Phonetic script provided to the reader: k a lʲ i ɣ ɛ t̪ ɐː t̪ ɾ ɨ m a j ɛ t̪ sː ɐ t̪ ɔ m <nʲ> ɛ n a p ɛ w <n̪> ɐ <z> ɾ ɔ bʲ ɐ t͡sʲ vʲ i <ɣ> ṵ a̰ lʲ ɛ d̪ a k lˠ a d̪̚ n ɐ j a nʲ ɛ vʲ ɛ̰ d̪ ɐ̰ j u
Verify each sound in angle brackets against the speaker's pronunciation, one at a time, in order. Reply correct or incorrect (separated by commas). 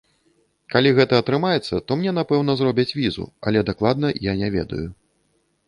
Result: correct, correct, correct, incorrect